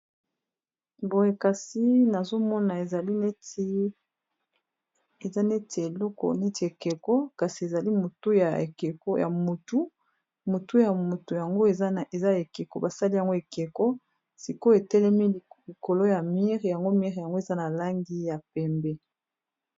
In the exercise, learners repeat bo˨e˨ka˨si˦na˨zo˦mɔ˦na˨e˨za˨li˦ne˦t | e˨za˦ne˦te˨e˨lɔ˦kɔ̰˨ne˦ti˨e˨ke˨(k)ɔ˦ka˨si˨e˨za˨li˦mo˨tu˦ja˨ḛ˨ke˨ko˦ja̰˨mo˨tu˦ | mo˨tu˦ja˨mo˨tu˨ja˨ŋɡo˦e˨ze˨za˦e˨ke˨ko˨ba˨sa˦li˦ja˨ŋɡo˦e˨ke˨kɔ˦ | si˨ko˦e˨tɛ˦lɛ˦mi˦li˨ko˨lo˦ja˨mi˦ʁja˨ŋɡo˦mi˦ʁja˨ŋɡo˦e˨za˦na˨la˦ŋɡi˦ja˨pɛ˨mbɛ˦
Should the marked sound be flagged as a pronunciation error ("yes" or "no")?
no